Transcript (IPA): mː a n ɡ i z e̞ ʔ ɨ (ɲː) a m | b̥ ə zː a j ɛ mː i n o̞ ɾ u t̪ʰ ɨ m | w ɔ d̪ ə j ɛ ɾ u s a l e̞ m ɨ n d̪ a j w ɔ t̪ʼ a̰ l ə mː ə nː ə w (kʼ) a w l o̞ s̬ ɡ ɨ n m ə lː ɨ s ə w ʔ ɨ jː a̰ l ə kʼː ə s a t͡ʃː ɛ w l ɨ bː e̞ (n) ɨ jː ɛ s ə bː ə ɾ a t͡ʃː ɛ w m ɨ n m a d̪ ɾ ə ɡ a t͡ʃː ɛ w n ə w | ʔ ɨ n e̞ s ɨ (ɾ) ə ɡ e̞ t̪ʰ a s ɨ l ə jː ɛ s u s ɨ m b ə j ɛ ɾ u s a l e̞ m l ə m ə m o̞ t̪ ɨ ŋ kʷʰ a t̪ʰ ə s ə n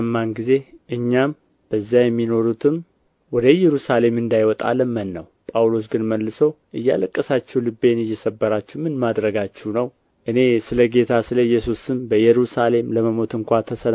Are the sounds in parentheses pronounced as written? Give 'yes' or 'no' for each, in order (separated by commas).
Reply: yes, no, yes, no